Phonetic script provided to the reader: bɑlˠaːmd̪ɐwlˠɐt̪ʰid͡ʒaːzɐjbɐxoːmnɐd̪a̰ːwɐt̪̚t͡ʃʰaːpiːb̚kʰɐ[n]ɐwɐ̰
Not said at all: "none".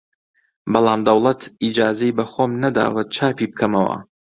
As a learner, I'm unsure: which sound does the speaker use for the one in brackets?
m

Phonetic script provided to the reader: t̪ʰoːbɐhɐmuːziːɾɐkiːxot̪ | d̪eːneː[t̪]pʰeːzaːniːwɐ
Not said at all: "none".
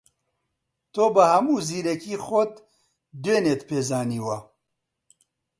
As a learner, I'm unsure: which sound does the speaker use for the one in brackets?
t̪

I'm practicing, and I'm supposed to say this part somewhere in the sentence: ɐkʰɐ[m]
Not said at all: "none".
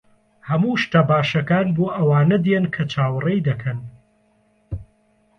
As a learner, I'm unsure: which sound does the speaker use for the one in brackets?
n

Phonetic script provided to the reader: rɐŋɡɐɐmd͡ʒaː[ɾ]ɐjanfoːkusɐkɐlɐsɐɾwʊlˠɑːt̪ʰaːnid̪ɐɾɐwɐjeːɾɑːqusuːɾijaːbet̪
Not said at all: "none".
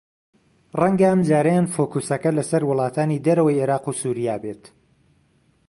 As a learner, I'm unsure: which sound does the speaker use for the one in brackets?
ɾ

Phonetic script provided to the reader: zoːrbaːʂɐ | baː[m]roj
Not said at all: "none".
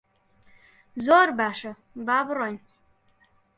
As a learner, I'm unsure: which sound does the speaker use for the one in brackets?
b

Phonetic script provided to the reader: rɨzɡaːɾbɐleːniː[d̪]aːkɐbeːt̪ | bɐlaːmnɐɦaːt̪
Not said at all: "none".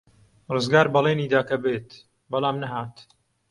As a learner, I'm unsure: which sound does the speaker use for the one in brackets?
d̪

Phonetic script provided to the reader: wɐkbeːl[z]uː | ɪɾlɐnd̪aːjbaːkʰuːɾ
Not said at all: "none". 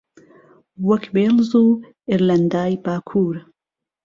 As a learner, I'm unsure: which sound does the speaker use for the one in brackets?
z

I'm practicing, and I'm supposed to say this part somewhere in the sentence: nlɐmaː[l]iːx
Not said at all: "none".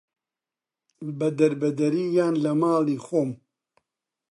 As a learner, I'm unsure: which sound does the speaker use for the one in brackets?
l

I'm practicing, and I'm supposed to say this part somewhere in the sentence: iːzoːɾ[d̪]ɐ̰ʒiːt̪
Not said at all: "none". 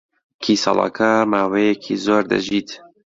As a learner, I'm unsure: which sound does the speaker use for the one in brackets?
d̪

